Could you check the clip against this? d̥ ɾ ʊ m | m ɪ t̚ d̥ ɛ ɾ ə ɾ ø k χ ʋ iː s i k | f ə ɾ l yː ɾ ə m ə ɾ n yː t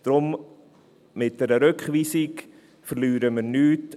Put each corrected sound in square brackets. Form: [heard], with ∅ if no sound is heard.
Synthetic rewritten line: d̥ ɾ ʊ m | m ɪ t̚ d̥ ɛ ɾ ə ɾ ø k χ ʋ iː s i k | f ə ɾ l yː ɾ ə m ə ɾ n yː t